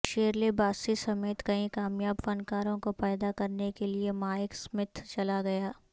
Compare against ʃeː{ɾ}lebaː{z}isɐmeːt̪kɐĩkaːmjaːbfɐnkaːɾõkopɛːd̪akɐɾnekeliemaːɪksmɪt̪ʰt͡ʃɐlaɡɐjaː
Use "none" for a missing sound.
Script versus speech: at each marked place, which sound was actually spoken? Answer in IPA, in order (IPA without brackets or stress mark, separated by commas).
ɾ, s